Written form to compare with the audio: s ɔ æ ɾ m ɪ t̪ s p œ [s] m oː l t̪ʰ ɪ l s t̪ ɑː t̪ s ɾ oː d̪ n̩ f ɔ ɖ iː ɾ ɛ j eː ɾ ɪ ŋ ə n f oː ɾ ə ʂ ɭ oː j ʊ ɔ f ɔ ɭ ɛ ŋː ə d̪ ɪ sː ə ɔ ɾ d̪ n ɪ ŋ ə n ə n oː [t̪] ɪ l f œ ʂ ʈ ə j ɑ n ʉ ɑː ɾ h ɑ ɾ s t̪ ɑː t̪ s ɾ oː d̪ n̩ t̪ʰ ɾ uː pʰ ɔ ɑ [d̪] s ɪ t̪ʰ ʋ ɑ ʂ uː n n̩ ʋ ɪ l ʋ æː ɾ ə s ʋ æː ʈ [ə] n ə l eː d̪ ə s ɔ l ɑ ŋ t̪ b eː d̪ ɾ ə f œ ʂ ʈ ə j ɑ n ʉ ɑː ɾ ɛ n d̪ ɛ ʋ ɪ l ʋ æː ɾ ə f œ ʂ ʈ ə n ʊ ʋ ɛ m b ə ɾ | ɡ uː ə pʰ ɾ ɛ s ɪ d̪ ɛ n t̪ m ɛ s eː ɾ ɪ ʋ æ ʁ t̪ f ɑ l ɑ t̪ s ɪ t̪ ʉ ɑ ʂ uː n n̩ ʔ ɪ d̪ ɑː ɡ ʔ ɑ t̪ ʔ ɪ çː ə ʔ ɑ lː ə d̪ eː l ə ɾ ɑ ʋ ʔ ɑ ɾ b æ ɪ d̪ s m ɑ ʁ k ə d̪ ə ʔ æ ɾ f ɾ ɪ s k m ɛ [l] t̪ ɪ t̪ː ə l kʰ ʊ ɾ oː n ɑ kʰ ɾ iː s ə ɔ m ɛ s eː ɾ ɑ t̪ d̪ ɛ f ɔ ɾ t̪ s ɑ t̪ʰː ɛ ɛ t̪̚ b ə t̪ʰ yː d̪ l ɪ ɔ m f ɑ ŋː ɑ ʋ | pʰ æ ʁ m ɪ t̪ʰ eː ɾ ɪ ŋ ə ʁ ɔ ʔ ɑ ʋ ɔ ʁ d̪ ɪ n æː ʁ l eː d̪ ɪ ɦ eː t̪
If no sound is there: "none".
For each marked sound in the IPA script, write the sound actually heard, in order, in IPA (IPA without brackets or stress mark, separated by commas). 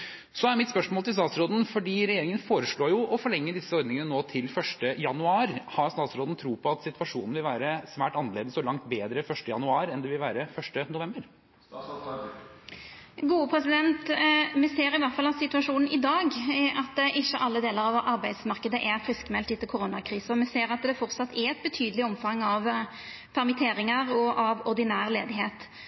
ʂ, t̪ʰ, t̪, ɑ, l